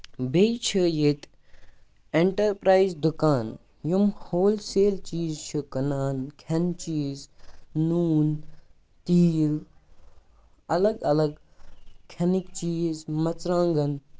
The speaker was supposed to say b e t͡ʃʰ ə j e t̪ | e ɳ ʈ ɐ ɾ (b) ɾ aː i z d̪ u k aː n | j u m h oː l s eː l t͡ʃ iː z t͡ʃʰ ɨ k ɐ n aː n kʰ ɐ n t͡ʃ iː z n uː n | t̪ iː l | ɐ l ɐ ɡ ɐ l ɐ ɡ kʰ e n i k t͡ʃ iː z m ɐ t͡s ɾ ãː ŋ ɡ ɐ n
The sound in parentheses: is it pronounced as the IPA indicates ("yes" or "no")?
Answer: no